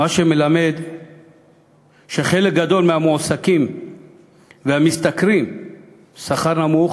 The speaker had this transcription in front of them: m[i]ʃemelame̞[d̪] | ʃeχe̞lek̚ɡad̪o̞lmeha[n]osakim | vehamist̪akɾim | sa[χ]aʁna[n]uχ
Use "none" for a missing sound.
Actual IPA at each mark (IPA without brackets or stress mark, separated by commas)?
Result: a, d̪, m, χ, m